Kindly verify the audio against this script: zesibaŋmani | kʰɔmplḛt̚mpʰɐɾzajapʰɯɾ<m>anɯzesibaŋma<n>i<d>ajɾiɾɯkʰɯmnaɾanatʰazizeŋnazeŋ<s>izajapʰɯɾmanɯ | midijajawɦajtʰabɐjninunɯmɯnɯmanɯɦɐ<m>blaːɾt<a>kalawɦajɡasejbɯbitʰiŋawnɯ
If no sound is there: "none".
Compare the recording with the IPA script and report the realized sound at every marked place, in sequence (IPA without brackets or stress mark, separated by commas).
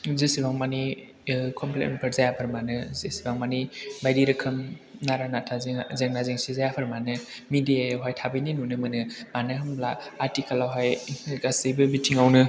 m, n, b, s, m, i